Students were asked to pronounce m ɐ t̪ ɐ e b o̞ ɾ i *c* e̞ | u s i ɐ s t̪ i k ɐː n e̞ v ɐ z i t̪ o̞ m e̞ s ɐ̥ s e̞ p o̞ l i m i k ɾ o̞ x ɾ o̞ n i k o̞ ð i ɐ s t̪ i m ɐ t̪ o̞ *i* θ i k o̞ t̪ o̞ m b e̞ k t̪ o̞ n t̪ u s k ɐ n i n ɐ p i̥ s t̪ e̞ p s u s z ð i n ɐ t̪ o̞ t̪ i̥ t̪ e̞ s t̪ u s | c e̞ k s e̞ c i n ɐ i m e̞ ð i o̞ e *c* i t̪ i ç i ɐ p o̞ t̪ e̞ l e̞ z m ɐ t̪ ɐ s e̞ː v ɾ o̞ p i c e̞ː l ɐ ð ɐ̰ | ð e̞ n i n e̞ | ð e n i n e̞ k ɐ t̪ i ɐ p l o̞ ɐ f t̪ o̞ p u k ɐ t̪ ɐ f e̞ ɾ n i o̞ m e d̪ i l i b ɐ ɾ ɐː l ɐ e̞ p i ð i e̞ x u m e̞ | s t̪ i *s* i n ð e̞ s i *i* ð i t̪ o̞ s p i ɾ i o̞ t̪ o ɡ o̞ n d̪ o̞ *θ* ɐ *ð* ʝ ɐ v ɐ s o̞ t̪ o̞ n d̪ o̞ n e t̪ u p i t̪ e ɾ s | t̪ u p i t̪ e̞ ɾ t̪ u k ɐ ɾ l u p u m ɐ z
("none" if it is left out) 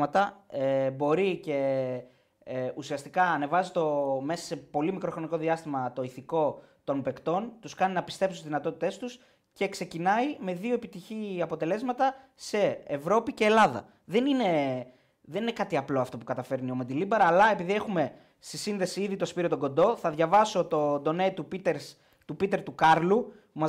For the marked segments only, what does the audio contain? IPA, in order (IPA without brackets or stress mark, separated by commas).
c, i, p, s, i, θ, ð